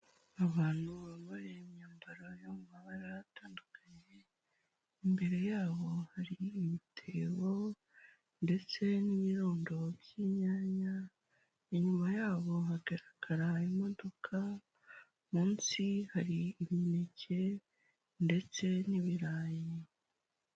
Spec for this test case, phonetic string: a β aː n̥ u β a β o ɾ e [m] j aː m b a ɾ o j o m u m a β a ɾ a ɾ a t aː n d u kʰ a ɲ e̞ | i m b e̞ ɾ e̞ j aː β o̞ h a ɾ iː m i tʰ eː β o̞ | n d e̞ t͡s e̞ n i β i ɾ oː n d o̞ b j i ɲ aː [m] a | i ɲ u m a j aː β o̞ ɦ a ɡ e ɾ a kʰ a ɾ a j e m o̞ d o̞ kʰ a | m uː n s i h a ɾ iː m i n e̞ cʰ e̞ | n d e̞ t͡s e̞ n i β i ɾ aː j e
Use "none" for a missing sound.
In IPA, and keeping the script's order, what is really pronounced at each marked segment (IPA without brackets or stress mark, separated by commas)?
m, ɲ